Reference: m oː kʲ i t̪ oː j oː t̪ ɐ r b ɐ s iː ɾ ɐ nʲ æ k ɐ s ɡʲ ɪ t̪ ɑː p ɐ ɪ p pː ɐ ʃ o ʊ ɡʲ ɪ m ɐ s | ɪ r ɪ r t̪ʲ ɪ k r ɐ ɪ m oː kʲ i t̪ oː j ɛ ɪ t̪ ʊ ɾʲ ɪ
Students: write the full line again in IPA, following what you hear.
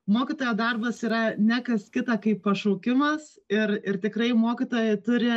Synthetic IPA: m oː kʲ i t̪ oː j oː d̪ ɐ r b ɐ s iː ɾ ɐ nʲ æ k ɐ s kʲ ɪ t̪ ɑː k ɐ ɪ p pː ɐ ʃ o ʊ kʲ ɪ m ɐ s | ɪ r ɪ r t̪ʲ ɪ k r ɐ ɪ m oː kʲ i t̪ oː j ɛ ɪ t̪ ʊ ɾʲ ɪ